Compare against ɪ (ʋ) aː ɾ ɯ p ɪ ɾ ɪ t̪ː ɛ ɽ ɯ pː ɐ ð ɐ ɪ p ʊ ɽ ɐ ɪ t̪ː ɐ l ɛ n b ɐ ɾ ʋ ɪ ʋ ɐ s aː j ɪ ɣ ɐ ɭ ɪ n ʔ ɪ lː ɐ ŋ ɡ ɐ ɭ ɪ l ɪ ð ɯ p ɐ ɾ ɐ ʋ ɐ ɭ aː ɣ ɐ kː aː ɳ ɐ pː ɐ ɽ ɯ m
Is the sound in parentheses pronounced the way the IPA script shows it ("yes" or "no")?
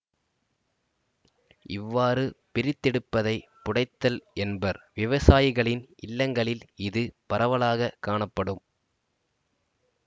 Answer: no